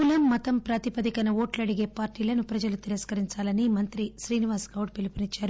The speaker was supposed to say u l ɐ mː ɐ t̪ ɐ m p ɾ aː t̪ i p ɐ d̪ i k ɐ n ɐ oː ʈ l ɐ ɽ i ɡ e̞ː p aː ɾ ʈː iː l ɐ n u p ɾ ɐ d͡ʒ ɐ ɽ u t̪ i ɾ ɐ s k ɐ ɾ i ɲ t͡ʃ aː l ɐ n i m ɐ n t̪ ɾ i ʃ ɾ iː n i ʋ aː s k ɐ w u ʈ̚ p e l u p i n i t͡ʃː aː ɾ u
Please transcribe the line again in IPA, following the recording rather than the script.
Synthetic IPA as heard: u l ɐ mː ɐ t̪ ɐ m p ɾ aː t̪ i p ɐ d̪ i k ɐ n ɐ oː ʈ l ɐ ɽ i ɡ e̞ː p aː ɾ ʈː iː l ɐ n u p ɾ ɐ d͡ʒ ɐ l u t̪ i ɾ ɐ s k ɐ ɾ i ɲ t͡ʃ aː l ɐ n i m ɐ n t̪ ɾ i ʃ ɾ iː n i ʋ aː s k ɐ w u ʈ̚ p e l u p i n i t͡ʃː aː ɾ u